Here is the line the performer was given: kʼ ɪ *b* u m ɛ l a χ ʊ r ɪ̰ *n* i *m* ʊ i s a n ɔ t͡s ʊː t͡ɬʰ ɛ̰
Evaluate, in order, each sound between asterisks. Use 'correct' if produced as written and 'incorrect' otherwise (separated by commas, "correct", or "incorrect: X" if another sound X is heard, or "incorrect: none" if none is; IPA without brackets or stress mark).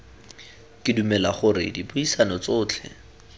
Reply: incorrect: d, incorrect: d, incorrect: b